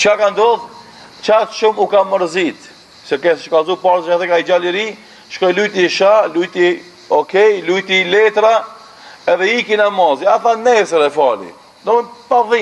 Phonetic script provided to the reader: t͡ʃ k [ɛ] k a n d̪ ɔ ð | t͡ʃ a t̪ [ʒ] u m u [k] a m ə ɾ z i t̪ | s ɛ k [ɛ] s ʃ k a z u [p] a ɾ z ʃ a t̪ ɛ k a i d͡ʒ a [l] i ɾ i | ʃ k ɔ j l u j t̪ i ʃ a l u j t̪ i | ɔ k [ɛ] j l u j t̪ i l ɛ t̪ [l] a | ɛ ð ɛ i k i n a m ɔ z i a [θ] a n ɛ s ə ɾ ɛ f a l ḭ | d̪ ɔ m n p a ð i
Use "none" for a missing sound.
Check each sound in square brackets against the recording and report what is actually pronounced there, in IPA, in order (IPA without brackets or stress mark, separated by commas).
a, ʃ, k, ɛ, p, l, ɛ, ɾ, θ